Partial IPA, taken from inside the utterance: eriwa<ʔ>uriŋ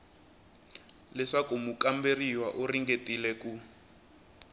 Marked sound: correct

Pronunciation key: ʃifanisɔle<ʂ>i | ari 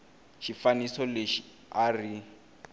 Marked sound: incorrect: ʃ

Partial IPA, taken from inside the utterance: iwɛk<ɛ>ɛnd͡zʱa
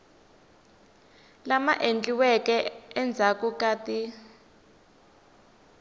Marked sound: correct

